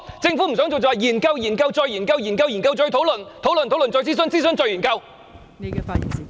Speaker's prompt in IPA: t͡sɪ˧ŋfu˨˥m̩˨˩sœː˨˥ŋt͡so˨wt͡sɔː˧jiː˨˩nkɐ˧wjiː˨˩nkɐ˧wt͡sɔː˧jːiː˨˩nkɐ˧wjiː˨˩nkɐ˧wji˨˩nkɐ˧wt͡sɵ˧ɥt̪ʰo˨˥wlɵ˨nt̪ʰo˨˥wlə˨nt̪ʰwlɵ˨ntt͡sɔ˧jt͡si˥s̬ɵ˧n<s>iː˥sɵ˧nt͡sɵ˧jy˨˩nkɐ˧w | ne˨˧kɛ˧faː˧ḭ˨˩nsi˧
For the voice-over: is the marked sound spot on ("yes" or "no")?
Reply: no